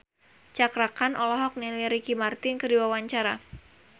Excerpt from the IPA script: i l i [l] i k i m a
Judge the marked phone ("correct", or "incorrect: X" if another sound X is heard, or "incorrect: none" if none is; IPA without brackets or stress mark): incorrect: ɾ